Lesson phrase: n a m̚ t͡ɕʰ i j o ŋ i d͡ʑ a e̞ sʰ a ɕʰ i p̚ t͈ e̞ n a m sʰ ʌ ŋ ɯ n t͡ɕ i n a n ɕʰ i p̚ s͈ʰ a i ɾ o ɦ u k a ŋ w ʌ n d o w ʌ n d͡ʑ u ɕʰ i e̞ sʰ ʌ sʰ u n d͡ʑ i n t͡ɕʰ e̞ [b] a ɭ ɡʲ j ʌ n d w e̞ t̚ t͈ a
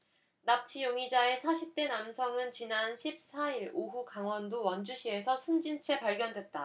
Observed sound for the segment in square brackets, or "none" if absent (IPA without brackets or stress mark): p